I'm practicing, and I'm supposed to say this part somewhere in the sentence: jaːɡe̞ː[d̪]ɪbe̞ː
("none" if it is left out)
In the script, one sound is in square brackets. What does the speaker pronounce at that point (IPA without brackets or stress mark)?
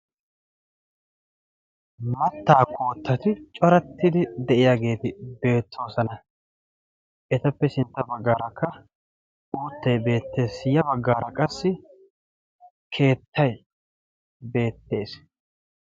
t̪